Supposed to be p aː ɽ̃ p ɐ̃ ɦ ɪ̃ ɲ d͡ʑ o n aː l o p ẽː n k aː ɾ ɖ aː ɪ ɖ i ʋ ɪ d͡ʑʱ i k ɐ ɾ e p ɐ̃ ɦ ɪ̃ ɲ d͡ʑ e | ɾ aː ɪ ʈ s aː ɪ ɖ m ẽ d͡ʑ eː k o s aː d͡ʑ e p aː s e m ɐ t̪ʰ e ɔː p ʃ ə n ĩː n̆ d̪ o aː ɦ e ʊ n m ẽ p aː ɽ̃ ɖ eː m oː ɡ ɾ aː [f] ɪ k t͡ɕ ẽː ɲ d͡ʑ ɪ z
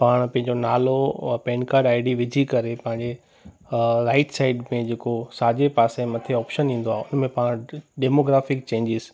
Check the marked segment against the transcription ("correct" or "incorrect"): correct